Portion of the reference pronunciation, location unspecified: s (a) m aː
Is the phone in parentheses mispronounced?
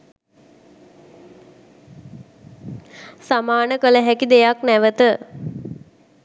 no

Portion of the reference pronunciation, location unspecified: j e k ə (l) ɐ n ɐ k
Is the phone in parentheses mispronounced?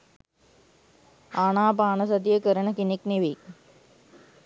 yes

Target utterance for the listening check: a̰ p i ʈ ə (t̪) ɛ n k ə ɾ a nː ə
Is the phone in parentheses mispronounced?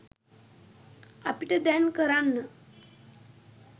yes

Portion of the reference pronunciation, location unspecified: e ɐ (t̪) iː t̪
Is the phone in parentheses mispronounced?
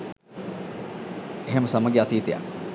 no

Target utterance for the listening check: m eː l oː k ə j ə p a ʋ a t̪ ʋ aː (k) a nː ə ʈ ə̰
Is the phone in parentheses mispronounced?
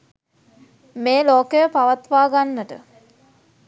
yes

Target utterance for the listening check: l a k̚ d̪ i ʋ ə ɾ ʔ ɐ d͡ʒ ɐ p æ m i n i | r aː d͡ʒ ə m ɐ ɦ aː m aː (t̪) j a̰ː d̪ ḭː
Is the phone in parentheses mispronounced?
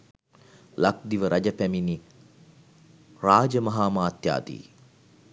no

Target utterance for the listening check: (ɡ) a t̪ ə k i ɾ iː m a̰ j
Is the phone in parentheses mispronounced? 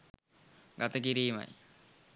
no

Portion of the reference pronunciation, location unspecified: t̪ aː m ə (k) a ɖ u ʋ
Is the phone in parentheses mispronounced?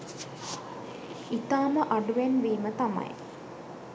yes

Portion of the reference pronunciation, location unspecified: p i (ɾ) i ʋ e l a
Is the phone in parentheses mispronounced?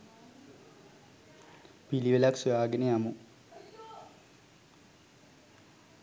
yes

